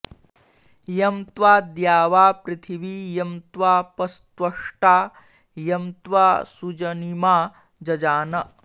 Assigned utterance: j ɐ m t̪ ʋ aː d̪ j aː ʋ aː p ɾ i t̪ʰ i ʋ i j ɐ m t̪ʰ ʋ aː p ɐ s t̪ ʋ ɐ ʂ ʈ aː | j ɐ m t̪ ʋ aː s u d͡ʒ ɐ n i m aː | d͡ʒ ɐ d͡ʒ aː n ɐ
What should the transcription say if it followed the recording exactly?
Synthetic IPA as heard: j ɐ m t̪ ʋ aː d̪ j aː ʋ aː p ɾ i t̪ʰ i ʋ i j ɐ m t̪ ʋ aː p ɐ s t̪ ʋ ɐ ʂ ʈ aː | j ɐ m t̪ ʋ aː s u d͡ʒ ɐ n i m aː | d͡ʒ ɐ d͡ʒ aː n ɐ